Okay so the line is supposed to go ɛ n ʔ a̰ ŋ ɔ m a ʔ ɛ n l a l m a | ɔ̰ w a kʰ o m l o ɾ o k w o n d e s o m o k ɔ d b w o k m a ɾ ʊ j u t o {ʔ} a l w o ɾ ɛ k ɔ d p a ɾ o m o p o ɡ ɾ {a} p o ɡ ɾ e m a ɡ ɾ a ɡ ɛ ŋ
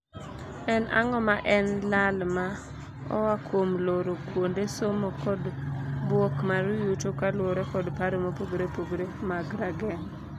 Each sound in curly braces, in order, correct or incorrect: incorrect: k, incorrect: e

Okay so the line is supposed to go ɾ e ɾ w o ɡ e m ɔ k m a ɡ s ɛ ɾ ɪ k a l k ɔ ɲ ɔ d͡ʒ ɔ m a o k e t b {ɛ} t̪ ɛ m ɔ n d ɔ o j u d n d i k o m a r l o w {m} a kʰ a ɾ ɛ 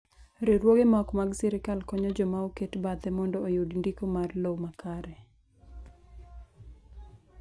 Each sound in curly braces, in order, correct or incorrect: incorrect: a, correct

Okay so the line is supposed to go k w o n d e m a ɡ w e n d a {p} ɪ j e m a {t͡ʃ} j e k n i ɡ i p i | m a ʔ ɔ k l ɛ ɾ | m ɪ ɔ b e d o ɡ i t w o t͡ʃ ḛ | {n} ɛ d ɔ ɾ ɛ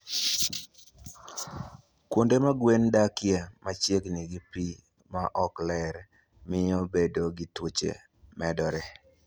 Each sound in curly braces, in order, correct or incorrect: incorrect: k, correct, incorrect: m

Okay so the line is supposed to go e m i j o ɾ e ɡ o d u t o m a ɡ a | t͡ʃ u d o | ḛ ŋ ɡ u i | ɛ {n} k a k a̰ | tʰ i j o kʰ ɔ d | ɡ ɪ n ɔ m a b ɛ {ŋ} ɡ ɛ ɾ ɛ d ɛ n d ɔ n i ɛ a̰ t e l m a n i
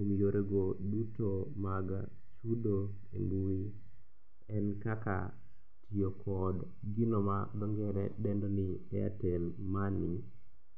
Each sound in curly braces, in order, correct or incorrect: correct, correct

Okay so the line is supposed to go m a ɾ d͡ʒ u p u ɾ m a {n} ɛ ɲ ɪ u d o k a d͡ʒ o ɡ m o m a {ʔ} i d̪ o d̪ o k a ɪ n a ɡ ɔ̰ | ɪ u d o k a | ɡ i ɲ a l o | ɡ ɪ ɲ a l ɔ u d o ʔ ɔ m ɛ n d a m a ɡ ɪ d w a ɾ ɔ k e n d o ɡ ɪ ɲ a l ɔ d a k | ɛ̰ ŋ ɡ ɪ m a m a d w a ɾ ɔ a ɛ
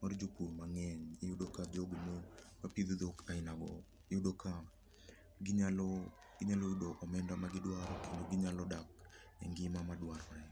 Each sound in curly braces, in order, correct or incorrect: incorrect: ŋ, incorrect: p

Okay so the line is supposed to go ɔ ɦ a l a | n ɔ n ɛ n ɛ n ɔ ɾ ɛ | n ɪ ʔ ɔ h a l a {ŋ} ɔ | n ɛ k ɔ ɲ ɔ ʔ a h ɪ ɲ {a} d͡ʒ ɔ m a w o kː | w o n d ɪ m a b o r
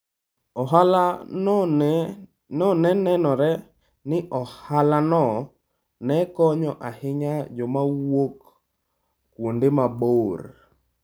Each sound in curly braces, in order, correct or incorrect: incorrect: n, correct

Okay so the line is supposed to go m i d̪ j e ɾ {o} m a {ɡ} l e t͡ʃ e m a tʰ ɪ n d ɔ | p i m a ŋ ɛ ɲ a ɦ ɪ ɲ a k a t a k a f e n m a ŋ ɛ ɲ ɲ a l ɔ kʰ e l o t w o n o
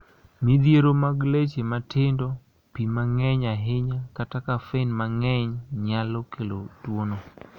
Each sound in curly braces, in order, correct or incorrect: correct, correct

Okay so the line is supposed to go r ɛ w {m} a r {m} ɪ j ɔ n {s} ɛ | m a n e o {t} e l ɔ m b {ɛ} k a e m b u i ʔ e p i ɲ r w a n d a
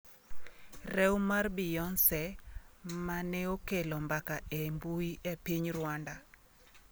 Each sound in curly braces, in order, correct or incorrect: correct, incorrect: b, correct, incorrect: k, incorrect: a

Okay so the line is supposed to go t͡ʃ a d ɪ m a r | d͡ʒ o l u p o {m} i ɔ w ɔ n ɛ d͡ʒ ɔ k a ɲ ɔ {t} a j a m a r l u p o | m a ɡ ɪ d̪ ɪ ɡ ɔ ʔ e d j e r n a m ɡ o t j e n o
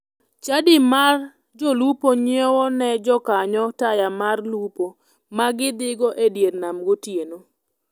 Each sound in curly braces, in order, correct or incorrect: incorrect: ɲ, correct

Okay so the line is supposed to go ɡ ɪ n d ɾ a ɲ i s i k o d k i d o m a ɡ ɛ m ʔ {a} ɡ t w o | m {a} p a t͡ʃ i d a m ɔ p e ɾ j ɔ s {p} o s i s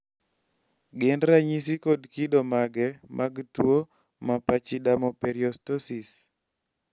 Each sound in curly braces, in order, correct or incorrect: correct, correct, incorrect: t

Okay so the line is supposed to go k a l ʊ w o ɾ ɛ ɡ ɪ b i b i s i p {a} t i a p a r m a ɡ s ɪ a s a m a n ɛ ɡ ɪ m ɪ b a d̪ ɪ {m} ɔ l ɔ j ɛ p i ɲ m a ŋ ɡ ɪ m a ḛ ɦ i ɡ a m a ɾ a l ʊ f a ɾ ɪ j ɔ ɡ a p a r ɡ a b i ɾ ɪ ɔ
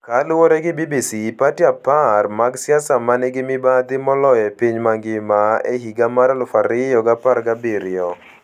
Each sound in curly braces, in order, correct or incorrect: correct, correct

